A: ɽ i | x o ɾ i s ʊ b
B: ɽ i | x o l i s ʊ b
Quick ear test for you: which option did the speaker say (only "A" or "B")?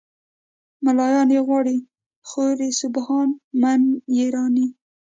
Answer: A